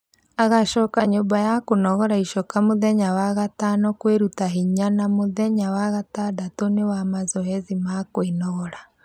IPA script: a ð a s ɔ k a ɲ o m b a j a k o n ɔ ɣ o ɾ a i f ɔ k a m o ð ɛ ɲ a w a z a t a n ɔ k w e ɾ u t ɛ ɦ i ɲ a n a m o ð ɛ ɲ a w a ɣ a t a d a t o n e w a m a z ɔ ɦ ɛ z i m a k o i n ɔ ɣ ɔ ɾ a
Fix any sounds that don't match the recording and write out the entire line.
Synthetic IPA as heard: a ɣ a ʃ ɔ k a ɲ o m b a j a k o n ɔ ɣ ɔ ɾ a i ʃ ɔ k a m o ð ɛ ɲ a w a ɣ a t a n ɔ k w e ɾ u t a ɦ i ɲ a n a m o ð ɛ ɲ a w a ɣ a t a d a t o n e w a m a z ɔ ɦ ɛ z i m a k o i n ɔ ɣ ɔ ɾ a